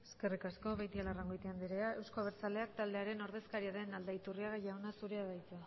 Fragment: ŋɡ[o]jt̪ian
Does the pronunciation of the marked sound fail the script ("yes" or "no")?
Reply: no